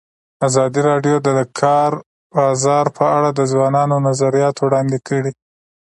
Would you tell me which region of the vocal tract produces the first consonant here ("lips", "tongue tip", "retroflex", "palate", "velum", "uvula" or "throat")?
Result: tongue tip